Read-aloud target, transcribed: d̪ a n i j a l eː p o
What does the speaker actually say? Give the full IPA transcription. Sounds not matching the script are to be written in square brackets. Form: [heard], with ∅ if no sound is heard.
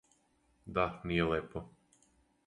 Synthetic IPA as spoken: d̪ a n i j [e] l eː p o